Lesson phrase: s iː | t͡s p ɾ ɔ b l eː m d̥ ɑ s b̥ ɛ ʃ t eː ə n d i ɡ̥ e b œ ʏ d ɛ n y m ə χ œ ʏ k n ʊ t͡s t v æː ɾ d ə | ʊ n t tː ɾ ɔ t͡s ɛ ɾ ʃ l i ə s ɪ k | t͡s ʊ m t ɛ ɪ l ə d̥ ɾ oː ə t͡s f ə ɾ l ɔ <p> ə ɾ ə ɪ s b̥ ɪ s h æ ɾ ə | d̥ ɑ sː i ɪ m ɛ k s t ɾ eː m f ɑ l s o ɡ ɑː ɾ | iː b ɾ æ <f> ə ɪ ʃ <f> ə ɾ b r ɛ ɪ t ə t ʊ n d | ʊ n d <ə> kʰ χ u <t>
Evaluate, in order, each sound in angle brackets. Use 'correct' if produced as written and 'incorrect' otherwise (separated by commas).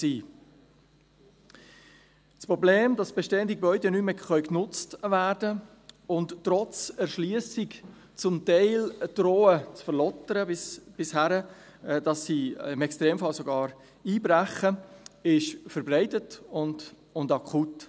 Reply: incorrect, incorrect, correct, incorrect, correct